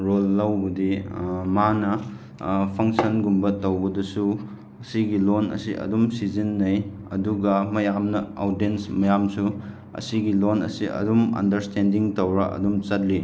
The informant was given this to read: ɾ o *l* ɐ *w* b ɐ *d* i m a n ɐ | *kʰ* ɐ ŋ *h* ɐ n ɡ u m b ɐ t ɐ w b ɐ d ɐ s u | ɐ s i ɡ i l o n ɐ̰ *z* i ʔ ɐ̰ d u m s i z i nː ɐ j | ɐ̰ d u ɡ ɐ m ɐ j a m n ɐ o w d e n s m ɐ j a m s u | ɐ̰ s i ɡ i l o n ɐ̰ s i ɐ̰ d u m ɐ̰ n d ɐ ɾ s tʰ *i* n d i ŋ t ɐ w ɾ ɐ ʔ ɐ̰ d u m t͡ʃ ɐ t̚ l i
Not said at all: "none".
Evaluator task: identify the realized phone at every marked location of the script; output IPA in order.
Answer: lː, w, d, pʰ, s, s, e

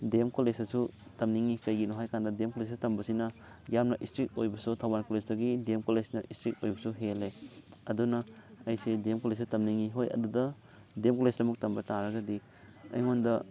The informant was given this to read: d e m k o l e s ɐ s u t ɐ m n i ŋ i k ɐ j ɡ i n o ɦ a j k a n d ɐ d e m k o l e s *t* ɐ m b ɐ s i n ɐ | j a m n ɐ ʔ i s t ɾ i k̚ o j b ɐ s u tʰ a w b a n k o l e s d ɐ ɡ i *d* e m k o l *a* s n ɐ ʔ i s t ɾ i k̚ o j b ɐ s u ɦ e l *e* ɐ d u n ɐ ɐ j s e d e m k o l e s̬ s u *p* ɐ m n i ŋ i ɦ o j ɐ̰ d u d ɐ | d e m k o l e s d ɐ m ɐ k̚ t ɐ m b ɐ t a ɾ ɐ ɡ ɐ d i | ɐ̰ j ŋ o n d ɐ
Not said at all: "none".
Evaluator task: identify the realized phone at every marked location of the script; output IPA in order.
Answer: t, d, e, e, t

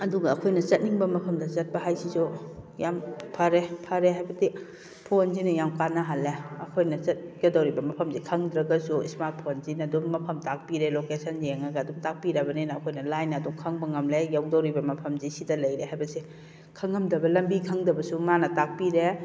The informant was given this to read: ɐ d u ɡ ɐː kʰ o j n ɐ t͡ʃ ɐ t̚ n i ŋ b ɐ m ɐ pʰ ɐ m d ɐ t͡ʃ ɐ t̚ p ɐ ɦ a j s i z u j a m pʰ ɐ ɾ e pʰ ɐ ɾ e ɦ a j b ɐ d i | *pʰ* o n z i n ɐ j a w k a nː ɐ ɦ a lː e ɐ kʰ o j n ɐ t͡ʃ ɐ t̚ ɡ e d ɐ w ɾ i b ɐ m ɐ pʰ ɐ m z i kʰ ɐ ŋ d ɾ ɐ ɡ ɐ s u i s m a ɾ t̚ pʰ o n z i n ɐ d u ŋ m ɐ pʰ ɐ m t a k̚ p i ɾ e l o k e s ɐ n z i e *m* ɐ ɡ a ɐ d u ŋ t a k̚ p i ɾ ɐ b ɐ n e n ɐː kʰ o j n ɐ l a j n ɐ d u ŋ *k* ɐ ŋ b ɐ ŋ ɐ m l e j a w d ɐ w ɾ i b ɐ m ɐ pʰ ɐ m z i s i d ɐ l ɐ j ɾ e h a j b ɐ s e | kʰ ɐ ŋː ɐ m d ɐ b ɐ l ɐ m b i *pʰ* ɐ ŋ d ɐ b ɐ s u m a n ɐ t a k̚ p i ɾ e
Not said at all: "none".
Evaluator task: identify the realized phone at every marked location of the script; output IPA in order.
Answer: pʰ, ŋ, kʰ, kʰ

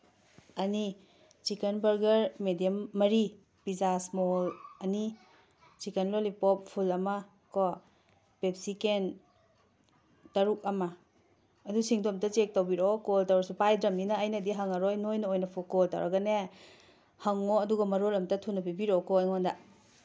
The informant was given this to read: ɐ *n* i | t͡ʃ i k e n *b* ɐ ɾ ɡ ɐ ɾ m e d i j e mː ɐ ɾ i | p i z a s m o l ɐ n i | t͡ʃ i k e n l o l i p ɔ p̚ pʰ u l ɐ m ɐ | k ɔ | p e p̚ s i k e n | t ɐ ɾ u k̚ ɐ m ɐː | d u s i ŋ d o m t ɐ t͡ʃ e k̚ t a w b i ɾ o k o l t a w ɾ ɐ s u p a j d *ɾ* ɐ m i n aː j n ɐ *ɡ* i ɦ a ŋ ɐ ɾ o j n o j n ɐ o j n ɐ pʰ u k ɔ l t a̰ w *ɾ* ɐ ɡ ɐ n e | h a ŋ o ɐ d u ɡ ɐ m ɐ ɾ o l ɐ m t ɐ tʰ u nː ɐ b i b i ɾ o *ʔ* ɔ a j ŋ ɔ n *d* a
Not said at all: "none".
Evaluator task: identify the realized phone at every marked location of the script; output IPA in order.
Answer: n, b, ɾ, d, ɾ, k, d

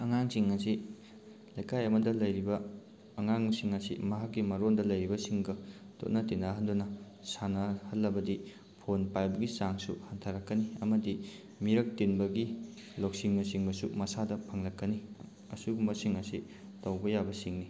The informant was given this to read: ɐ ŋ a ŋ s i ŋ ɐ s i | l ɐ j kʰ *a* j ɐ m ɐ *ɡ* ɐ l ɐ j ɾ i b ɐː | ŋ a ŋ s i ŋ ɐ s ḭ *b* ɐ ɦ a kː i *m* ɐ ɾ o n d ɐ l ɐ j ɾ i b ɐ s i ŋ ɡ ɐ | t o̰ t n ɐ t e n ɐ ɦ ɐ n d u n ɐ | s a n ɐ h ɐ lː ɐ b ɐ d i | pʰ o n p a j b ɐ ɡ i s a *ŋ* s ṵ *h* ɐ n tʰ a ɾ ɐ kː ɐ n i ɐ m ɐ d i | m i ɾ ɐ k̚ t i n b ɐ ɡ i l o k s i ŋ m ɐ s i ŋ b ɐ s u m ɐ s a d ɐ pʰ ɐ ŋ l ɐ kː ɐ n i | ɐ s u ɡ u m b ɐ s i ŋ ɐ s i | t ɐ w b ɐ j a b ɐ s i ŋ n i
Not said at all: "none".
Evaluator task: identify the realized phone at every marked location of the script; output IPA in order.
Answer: a, d, m, m, ŋ, h

